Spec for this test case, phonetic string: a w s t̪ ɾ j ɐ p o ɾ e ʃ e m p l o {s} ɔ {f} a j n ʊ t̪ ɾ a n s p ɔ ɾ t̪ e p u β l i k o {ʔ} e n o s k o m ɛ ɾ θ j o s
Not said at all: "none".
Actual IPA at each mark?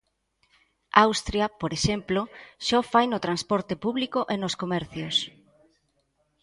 ʃ, f, ʔ

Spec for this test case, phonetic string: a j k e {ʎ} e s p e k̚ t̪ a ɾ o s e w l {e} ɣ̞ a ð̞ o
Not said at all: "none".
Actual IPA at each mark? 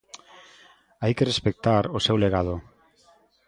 r, e

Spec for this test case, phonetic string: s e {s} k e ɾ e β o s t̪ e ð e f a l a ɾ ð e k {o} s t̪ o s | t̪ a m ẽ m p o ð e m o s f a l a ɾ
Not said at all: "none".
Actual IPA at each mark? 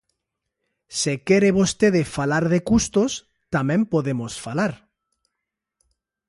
none, u

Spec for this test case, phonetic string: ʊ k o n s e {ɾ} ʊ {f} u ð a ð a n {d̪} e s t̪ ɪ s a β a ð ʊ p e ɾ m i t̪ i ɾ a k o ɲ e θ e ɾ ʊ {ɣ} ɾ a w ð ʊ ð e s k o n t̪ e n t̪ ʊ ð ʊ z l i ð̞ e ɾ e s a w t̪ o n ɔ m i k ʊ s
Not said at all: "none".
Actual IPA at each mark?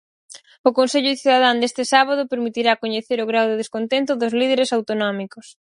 ʎ, θ, d̪, ɣ

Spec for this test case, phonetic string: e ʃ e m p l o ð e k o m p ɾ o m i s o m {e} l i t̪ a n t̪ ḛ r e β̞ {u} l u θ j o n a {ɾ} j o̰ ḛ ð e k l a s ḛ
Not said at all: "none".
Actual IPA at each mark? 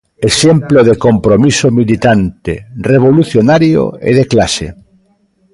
i, o, ɾ

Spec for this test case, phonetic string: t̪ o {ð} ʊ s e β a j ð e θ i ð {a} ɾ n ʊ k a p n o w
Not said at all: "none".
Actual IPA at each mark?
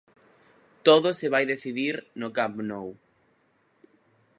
ð, i

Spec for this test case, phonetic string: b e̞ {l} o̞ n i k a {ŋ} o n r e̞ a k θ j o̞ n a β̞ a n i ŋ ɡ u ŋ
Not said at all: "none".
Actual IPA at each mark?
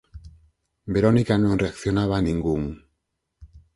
ɾ, n

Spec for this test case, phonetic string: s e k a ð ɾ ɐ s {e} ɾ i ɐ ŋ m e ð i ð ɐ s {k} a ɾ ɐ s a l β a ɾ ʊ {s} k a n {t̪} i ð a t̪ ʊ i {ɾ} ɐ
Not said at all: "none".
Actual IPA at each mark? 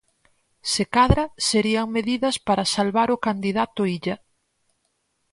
e, p, none, d̪, ʎ

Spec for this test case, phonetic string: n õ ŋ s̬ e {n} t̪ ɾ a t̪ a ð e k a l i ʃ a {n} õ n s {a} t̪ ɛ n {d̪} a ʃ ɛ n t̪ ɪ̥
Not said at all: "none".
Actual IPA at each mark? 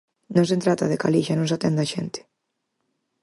n, n, a, d̪

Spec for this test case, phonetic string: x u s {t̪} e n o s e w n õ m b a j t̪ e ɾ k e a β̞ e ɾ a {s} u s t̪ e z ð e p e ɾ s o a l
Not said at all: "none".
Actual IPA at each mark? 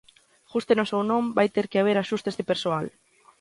t̪, ʃ

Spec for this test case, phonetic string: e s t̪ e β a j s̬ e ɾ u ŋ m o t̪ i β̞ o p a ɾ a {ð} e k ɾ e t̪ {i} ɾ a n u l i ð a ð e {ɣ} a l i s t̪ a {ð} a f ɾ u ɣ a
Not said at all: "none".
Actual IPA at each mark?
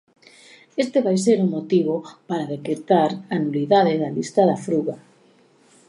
ð, a, ð, ð

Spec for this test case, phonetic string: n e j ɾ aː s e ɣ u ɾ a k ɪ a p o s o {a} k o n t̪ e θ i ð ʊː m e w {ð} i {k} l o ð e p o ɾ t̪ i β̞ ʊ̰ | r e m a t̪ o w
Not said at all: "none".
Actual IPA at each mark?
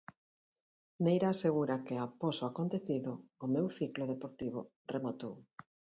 a, θ, k

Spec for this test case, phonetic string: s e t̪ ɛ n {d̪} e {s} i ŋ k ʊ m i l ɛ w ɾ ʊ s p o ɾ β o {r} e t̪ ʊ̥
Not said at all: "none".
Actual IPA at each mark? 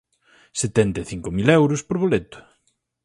t̪, θ, l

